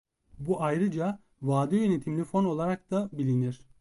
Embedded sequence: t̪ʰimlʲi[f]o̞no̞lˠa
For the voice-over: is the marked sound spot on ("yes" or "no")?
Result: yes